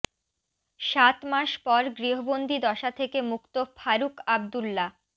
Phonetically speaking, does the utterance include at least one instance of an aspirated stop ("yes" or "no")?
yes